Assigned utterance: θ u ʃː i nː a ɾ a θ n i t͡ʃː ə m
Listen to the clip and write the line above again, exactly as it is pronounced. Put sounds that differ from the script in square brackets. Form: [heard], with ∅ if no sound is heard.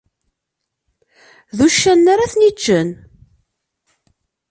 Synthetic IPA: [ð] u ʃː [æ] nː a ɾ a θ n i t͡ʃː ə [n]